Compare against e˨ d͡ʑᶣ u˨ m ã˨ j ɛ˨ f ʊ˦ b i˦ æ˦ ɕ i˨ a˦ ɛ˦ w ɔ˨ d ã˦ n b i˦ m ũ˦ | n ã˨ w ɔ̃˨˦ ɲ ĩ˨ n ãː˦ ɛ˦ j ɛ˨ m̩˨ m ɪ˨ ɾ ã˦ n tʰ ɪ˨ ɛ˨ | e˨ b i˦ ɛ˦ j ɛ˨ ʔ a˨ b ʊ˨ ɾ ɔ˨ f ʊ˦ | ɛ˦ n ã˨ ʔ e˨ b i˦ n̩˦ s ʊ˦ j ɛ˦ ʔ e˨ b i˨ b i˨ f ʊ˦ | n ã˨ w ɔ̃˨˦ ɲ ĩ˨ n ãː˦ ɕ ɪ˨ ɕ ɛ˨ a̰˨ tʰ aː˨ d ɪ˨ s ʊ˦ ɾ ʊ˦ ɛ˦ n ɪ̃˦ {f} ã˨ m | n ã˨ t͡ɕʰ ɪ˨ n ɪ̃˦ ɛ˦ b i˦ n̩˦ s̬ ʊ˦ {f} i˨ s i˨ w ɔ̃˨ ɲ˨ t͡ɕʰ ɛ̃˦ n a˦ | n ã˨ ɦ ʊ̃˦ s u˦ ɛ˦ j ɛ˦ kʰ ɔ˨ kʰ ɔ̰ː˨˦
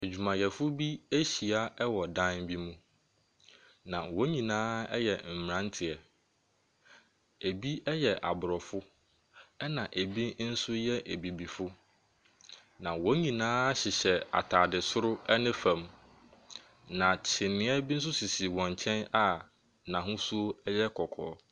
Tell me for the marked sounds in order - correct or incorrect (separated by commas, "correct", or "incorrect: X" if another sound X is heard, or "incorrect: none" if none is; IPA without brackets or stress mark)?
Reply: correct, incorrect: s